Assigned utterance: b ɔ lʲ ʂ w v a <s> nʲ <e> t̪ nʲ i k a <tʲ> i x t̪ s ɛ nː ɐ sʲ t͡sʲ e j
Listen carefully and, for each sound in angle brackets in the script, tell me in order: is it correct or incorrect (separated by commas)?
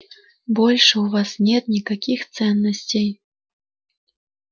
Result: correct, incorrect, incorrect